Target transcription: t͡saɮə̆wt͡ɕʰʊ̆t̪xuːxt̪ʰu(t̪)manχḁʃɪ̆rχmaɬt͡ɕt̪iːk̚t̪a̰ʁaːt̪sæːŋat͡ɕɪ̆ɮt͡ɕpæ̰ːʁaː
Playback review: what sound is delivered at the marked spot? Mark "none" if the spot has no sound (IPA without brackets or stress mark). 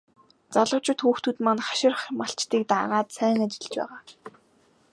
t̪